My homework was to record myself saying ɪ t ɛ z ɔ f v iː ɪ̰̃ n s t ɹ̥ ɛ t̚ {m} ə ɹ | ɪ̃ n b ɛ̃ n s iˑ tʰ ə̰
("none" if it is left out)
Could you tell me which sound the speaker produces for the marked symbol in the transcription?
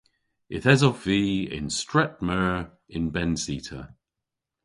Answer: m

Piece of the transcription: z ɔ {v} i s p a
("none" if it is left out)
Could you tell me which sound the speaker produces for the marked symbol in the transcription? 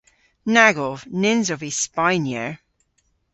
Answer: v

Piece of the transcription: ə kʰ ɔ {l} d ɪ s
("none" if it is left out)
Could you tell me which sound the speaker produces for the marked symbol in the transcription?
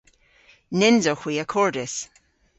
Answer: ɹ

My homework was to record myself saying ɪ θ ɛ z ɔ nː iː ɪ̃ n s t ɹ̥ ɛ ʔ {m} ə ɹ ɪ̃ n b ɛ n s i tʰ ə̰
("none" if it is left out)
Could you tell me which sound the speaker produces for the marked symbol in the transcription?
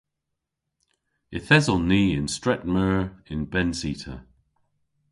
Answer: m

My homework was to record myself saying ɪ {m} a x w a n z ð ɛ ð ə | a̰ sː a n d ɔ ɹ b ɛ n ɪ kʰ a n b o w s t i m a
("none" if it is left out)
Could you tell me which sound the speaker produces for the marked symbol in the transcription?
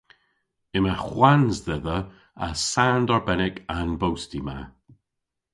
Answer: m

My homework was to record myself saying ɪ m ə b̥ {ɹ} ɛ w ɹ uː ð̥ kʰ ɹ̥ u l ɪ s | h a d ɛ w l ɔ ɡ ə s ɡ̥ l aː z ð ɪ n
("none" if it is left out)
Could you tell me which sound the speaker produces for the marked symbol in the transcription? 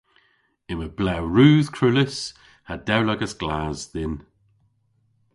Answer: l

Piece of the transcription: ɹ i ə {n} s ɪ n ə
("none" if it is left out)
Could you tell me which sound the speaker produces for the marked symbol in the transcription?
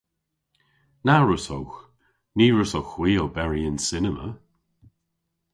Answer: n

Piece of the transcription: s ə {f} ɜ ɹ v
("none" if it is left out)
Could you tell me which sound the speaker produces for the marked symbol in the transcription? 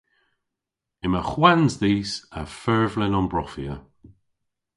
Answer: f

